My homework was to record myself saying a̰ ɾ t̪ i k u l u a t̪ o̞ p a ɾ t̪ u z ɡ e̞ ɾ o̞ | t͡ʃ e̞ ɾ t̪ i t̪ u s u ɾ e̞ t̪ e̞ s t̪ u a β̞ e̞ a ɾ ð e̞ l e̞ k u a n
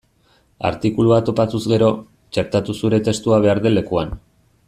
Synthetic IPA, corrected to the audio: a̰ ɾ t̪ i k u l u a t̪ o̞ p a t̪ u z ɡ e̞ ɾ o̞ | t͡ʃ e̞ ɾ t̪ a t̪ u s u ɾ e̞ t̪ e̞ s t̪ u a β̞ e̞ a ɾ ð e̞ l e̞ k u a n